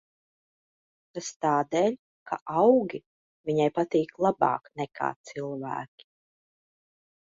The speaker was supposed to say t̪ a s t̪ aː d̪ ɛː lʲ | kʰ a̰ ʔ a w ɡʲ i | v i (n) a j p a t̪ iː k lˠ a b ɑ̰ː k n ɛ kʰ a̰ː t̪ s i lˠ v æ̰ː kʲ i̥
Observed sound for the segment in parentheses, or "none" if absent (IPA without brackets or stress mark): ɲ